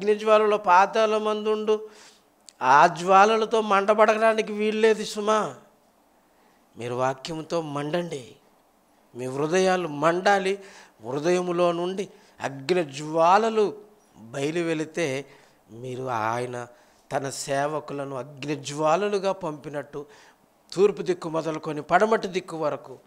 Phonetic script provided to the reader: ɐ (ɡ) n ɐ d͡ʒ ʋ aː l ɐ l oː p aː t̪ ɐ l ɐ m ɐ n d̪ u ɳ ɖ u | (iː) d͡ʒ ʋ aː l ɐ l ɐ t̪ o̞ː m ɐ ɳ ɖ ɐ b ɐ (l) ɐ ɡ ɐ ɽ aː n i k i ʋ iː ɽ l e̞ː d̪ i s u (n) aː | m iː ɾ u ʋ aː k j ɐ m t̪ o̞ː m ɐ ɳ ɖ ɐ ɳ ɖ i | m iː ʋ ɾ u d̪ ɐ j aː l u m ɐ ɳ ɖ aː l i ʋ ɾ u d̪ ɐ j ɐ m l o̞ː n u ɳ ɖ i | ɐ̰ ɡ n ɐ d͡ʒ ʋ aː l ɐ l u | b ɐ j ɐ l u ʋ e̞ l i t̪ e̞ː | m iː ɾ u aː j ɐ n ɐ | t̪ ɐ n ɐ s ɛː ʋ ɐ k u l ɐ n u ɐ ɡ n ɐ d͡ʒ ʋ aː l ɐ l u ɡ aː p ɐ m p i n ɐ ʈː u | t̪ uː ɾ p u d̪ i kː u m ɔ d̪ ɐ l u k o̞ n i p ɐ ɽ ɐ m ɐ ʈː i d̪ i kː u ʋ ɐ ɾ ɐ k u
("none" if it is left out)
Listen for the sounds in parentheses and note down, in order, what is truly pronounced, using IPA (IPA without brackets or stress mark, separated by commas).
ɡ, aː, ɽ, m